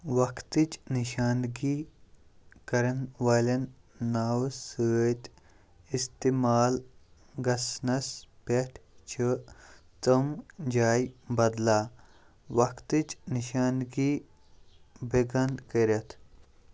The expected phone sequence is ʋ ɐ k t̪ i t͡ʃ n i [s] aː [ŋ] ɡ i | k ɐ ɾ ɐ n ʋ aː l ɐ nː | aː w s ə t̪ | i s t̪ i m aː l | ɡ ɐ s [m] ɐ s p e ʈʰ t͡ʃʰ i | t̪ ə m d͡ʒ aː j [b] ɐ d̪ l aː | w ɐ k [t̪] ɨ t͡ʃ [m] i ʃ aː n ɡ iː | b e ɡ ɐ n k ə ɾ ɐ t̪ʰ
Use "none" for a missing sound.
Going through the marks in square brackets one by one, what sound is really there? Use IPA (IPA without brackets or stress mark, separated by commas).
ʃ, n, n, b, t̪, n